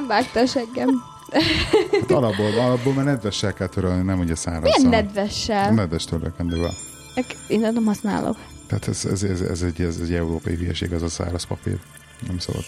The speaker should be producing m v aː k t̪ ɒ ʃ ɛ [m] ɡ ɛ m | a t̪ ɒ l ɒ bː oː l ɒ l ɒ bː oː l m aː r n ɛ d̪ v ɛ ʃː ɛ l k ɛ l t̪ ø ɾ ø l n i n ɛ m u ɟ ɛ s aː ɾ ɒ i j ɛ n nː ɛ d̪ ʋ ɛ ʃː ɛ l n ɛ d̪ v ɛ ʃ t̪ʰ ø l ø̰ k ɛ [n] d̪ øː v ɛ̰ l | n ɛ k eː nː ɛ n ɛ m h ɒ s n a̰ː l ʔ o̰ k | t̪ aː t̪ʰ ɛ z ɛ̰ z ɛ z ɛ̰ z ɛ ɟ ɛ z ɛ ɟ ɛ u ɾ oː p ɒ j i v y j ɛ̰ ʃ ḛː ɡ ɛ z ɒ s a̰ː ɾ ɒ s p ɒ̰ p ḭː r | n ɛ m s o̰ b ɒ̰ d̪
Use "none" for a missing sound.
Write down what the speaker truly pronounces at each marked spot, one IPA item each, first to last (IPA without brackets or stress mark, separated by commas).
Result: ŋ, n